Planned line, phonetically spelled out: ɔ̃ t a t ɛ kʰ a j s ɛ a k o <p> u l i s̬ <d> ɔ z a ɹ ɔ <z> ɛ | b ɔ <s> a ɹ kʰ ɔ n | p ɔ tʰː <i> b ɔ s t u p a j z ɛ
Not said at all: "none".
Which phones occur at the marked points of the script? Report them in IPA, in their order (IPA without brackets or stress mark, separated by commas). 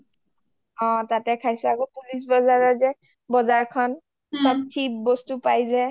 p, b, z, z, i